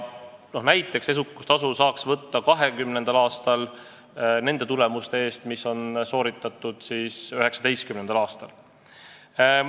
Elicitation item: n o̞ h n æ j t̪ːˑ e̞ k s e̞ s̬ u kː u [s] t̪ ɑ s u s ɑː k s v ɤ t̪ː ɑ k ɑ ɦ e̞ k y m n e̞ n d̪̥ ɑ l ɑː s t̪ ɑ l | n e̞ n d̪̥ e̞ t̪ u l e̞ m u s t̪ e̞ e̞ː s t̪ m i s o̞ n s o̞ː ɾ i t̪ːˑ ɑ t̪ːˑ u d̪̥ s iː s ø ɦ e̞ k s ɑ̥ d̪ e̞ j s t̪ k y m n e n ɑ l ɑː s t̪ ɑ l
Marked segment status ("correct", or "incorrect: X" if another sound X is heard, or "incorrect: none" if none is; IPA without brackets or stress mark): correct